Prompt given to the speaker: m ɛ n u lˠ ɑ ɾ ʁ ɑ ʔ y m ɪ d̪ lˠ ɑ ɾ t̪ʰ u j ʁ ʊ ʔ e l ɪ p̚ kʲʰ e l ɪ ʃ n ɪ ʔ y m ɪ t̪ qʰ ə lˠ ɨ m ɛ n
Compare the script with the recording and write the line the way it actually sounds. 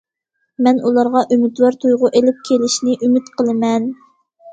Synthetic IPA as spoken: m ɛ n u lˠ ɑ ɾ ʁ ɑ ʔ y m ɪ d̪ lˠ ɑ ɾ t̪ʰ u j ʁ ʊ ʔ e l ɪ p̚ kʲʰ e l ɪ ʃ n ɪ ʔ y m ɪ t̪ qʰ ə lˠ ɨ m ɛ n